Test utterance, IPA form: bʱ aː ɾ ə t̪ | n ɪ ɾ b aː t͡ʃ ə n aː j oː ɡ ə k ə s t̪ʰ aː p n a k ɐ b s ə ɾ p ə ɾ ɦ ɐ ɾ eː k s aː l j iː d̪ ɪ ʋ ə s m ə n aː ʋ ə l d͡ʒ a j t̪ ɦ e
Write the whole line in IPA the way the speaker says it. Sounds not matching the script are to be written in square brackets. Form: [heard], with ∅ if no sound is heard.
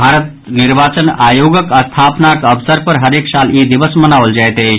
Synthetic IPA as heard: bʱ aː ɾ ə t̪ | n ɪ ɾ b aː t͡ʃ ə n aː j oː ɡ ə k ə s t̪ʰ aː p n a k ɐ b s ə ɾ p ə ɾ ɦ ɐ ɾ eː k s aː l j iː d̪ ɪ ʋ ə s m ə n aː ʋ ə l d͡ʒ a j t̪ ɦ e

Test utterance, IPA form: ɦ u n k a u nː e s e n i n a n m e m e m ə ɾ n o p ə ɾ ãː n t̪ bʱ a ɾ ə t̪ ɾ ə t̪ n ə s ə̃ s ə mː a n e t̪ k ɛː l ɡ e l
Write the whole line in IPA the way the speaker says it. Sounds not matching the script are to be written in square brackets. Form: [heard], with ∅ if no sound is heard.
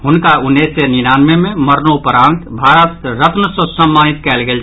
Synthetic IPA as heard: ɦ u n k a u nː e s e n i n a n m e m e m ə ɾ n o p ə ɾ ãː n t̪ bʱ a ɾ ə t̪ ɾ ə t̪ n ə s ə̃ s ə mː a n [i] t̪ k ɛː l ɡ e l

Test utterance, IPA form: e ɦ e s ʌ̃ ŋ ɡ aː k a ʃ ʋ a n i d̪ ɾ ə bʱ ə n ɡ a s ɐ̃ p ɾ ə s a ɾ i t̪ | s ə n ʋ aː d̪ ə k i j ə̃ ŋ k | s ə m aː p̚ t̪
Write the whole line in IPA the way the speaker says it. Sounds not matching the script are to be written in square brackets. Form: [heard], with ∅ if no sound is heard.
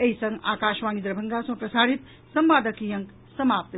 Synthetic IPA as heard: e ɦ [i] s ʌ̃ ŋ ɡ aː k a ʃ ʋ a n i d̪ ɾ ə bʱ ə [ŋ] ɡ a s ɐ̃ p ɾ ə s a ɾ i t̪ | s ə [m] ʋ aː d̪ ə k i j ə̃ ŋ k | s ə m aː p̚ t̪

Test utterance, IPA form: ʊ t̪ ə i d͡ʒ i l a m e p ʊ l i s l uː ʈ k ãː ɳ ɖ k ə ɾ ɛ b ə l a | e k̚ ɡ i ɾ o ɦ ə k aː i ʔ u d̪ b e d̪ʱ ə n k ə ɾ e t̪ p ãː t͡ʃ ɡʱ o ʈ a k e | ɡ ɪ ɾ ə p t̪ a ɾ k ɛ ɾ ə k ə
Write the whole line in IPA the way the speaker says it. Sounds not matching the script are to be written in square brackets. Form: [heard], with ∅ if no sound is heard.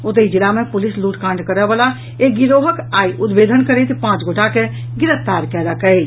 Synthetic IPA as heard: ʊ t̪ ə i d͡ʒ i l a m e p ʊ l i s l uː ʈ k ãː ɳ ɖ k ə ɾ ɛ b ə l a | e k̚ ɡ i ɾ o ɦ ə k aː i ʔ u d̪ b e d̪ʱ ə n k ə ɾ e t̪ p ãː t͡ʃ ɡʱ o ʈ a k e | ɡ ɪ ɾ ə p t̪ a ɾ k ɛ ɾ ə k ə

